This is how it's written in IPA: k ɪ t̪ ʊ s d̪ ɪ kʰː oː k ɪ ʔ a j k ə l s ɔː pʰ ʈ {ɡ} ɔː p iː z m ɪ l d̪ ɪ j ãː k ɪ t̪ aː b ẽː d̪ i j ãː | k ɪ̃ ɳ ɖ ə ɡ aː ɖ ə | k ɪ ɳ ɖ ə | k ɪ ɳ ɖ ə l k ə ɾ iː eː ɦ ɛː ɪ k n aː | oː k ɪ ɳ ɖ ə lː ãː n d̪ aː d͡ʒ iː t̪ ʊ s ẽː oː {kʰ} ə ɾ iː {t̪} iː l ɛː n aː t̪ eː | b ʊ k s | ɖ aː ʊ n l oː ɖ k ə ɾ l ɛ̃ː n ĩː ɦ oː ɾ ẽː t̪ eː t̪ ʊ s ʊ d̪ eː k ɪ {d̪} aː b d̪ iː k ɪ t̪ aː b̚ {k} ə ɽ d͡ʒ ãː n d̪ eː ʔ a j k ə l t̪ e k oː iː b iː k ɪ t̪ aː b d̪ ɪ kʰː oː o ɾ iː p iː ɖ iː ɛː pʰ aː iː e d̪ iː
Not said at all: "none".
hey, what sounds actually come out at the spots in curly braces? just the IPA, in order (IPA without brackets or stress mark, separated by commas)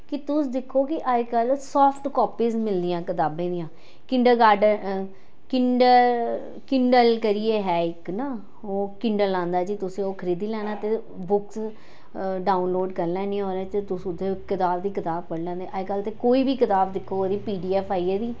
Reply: k, kʰ, d̪, t̪, p